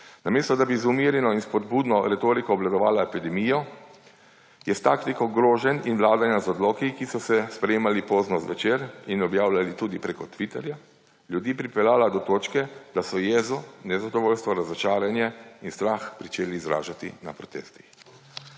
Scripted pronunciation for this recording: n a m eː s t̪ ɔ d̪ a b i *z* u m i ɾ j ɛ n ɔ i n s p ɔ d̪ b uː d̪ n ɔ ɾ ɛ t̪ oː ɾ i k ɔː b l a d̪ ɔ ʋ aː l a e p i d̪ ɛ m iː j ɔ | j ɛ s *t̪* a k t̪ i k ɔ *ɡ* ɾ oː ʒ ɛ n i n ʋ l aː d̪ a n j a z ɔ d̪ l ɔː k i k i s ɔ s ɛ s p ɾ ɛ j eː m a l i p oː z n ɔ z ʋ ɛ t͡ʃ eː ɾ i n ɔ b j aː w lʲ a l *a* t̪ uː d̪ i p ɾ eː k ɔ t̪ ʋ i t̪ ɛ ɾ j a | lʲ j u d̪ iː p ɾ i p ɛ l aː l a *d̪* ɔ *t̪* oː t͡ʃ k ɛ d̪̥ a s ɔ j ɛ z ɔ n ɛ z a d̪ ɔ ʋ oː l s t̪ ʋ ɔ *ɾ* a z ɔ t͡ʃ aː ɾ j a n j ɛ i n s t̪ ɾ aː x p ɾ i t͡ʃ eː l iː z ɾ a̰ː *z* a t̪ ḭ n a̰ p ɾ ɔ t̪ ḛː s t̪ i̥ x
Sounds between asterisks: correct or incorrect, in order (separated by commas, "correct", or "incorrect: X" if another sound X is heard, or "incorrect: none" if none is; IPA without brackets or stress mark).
correct, correct, correct, incorrect: i, correct, correct, correct, incorrect: ʒ